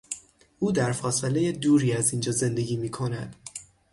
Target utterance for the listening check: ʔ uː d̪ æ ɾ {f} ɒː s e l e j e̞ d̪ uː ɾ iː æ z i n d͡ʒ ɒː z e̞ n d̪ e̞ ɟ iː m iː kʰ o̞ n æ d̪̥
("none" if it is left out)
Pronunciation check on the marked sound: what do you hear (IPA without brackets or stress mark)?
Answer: f